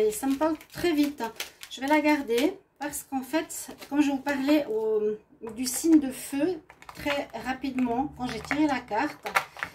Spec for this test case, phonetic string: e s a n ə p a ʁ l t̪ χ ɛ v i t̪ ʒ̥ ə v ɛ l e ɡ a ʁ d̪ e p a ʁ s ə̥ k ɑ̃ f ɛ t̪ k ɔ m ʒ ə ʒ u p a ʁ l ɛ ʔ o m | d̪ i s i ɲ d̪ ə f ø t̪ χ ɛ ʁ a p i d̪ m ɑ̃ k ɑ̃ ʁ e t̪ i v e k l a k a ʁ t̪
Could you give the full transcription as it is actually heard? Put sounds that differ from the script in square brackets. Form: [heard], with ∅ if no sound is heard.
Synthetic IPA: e s a [m] ə p a ʁ l t̪ χ ɛ v i t̪ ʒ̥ ə v ɛ l [a] ɡ a ʁ d̪ e p a ʁ s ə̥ k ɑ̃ f ɛ t̪ k ɔ m ʒ ə [v] u p a ʁ l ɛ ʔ o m | d̪ [y] s i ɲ d̪ ə f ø t̪ χ ɛ ʁ a p i d̪ m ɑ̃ k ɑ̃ [ʒ] e t̪ i [ʁ] e [∅] l a k a ʁ t̪